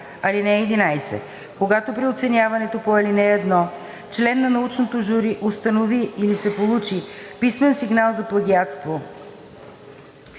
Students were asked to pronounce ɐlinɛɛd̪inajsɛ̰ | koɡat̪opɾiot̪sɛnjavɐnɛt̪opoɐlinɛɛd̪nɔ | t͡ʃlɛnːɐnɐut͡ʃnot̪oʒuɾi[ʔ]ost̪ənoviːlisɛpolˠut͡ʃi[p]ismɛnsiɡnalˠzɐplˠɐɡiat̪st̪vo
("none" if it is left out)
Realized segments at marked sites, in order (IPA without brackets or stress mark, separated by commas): ʔ, p